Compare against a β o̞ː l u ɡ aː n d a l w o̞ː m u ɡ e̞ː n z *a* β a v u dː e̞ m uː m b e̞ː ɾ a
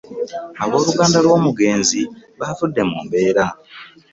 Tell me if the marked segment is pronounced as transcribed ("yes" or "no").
no